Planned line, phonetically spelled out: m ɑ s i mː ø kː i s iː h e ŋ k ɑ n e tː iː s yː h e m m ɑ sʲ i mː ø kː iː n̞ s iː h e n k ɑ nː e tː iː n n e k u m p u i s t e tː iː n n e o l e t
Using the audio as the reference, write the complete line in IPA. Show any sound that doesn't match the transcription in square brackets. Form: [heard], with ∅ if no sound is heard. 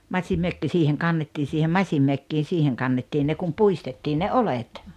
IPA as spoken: m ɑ s i mː ø kː i s iː h e ŋ k ɑ [nː] e tː iː s [iː] h e m m ɑ sʲ i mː ø kː iː n̞ s iː h e [ŋ] k ɑ nː e tː iː n n e k u m p u i s t e tː iː n n e o l e t